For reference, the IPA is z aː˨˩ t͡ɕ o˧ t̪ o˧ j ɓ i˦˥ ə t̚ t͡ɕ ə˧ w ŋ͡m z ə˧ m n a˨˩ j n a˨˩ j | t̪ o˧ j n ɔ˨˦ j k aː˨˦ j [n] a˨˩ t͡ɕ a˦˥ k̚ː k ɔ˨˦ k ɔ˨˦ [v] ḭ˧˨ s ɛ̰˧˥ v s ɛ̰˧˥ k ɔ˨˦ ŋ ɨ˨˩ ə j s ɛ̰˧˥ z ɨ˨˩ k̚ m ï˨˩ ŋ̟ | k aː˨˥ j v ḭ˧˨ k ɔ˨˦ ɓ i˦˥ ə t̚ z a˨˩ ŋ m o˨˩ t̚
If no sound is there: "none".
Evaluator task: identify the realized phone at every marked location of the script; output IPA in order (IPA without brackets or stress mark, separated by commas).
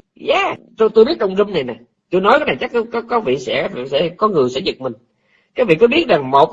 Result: n, v